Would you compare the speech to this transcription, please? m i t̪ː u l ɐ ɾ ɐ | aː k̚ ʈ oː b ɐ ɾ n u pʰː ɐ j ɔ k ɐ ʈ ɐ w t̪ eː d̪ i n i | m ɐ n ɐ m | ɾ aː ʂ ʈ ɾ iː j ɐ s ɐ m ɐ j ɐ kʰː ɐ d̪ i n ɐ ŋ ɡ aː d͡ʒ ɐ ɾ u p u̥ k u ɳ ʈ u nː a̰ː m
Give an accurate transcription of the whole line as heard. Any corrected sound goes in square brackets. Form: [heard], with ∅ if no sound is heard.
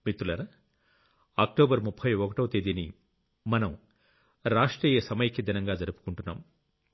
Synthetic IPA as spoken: m i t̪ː u l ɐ ɾ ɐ | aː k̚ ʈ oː b ɐ ɾ [m] u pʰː ɐ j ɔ k ɐ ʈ ɐ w t̪ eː d̪ i n i | m ɐ n ɐ m | ɾ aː ʂ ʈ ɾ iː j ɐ s ɐ m ɐ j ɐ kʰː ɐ d̪ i n ɐ ŋ ɡ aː d͡ʒ ɐ ɾ u p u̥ k u ɳ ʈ u nː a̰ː m